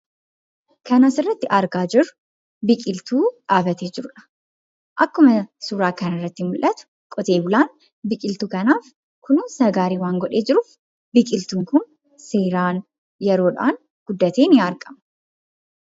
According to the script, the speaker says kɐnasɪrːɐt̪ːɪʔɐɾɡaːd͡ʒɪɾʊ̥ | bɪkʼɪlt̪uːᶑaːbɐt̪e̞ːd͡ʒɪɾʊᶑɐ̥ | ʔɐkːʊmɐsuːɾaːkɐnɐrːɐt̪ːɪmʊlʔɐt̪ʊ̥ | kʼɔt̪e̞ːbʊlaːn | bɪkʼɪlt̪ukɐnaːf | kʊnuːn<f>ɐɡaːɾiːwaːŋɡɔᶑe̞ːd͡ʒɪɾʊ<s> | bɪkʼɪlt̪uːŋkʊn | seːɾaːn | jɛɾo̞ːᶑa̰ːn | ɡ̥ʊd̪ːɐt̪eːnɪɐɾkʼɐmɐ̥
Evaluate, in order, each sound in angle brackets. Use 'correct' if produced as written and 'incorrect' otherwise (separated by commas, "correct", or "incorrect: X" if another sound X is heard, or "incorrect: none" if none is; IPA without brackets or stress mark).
incorrect: s, incorrect: f